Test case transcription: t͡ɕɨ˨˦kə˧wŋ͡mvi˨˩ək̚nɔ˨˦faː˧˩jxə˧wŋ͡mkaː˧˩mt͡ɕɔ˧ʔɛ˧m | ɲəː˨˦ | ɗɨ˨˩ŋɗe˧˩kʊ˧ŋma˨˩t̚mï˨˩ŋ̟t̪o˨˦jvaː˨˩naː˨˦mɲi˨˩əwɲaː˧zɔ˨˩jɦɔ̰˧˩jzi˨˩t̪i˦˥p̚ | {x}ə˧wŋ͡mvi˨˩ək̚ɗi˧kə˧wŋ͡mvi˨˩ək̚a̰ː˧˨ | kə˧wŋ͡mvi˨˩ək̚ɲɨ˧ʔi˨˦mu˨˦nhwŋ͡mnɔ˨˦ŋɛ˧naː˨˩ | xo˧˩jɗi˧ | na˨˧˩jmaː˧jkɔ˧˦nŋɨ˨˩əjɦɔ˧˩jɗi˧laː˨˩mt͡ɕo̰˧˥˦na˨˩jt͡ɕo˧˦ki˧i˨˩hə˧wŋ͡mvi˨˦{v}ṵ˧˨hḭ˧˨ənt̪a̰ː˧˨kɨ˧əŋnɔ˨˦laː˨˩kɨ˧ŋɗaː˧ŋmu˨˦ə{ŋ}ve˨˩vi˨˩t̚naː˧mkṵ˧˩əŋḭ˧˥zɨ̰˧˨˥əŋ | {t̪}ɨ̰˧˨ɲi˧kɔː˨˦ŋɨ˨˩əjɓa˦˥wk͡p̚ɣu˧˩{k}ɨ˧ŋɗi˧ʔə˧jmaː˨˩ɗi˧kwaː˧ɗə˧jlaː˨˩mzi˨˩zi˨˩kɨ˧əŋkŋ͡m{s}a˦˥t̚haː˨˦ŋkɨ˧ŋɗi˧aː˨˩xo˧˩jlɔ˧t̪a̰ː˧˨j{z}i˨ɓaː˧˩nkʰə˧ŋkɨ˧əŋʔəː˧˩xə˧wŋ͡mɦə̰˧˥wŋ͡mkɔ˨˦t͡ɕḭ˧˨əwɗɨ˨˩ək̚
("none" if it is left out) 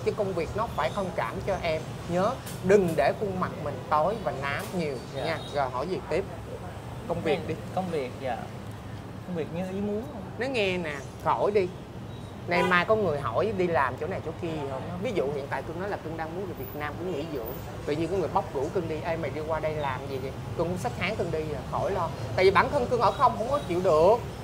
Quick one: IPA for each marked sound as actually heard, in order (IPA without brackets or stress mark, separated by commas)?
k, z, n, t̪, k, s, v